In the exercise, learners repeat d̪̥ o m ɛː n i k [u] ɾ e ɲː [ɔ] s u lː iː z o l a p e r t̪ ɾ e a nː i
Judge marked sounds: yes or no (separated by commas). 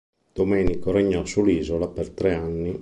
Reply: no, yes